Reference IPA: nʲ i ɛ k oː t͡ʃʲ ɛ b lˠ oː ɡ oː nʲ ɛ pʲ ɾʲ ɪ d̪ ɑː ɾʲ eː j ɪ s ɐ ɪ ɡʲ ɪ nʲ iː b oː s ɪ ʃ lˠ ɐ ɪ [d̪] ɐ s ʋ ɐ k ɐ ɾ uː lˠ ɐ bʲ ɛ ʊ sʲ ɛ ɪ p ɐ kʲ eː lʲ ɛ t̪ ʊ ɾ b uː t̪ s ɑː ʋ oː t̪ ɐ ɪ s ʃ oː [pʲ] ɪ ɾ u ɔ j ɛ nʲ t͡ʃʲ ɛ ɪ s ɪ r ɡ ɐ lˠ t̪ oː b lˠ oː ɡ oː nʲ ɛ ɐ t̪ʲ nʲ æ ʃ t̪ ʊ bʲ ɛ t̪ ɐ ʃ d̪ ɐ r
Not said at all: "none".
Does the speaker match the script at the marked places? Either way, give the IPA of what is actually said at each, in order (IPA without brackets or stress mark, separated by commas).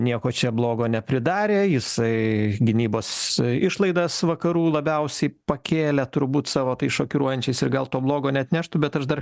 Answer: d̪, kʲ